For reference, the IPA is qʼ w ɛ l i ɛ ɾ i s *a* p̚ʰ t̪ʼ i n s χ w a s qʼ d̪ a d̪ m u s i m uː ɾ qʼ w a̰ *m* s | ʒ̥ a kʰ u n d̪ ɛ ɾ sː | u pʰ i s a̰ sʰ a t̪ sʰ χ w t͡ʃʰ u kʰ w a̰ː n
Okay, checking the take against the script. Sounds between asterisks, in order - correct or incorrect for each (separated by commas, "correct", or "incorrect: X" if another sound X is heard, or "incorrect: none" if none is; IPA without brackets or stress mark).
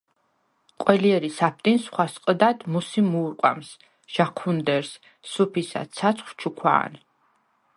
correct, correct